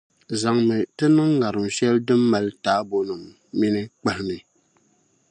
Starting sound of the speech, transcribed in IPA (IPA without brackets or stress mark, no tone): z